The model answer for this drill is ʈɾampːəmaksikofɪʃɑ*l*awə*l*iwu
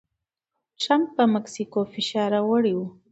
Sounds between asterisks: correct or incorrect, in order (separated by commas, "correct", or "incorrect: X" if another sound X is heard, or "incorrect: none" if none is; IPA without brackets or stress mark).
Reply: incorrect: ɾ, incorrect: ɽ